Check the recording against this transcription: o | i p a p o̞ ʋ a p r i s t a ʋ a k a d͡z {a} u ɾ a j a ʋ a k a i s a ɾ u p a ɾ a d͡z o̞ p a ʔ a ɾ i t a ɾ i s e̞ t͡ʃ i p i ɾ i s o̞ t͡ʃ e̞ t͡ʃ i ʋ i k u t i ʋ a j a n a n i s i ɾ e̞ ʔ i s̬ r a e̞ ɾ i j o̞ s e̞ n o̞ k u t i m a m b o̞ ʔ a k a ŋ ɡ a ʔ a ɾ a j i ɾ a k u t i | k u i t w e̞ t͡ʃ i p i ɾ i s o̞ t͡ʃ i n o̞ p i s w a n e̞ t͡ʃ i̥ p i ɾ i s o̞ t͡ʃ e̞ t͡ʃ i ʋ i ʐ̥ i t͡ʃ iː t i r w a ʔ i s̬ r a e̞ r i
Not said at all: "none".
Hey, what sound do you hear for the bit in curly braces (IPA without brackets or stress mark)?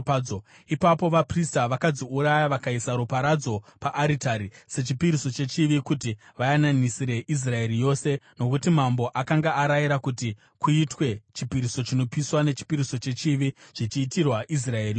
i